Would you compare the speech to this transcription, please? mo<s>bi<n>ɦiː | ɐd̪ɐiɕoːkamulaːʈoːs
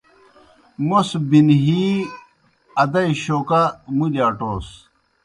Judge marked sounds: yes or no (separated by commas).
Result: yes, yes